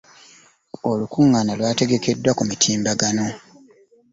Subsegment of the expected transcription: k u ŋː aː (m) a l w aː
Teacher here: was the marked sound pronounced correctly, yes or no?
no